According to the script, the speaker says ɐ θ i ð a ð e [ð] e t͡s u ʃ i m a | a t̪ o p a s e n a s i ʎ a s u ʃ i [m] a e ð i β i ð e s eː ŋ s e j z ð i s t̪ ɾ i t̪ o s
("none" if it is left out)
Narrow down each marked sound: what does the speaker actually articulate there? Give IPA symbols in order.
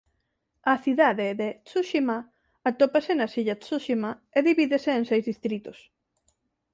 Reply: ð, m

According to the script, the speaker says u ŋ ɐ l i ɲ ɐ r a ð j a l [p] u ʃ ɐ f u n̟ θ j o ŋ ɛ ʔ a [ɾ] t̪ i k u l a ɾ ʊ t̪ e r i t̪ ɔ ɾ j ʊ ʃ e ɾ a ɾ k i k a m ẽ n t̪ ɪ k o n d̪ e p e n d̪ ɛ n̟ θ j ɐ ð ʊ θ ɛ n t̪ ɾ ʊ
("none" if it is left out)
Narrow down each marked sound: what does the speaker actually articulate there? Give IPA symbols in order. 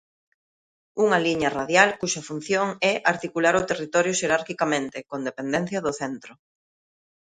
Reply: k, ɾ

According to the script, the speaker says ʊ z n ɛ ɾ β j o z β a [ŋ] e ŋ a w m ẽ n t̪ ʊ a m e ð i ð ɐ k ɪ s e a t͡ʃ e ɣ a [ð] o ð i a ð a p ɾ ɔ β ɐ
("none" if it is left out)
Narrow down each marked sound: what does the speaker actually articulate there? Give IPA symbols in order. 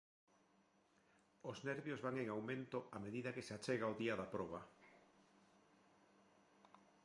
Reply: ŋ, none

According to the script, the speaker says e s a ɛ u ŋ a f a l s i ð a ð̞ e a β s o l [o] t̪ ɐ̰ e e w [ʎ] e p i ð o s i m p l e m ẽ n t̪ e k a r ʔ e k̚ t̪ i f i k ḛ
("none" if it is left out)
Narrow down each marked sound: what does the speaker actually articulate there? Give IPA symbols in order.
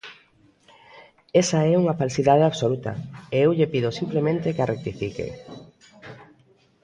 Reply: u, ʎ

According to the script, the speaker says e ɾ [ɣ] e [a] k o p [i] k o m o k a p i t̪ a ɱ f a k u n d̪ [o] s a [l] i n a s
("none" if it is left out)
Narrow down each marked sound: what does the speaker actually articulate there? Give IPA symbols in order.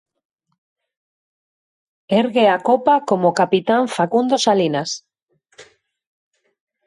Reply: ɣ, a, a, o, l

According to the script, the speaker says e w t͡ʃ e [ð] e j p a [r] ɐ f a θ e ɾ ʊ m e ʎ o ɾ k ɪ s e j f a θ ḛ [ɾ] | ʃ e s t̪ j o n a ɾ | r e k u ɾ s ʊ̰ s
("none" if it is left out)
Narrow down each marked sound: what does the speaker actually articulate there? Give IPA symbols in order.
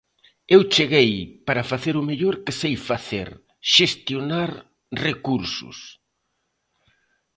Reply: ɣ, ɾ, ɾ

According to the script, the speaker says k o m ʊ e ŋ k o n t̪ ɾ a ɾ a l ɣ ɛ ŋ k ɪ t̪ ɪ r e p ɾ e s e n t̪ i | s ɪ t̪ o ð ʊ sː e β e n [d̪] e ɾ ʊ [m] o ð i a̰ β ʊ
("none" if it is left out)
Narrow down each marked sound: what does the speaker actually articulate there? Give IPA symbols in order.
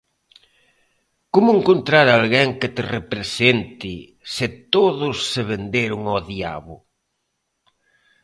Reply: d̪, ŋ

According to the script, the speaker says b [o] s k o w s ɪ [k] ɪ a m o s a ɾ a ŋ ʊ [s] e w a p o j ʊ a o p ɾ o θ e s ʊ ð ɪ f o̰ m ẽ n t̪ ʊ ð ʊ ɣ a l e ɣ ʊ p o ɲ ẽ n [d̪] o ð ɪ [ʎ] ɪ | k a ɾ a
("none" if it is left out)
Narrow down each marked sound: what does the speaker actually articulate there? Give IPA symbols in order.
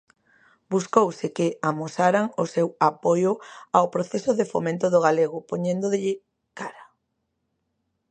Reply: u, k, s, d̪, ʎ

